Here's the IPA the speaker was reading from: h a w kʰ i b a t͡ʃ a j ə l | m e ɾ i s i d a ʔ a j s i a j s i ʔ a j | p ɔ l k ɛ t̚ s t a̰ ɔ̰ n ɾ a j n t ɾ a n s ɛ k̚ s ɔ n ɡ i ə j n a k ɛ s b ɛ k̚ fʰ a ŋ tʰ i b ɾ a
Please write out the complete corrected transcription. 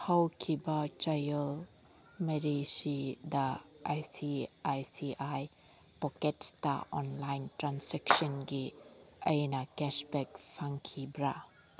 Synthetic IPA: h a w kʰ i b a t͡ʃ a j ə l | m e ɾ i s i d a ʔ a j s i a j s i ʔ a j | p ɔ k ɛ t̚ s t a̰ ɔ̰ n l a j n t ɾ a n s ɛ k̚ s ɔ n ɡ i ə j n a k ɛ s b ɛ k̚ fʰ a ŋ kʰ i b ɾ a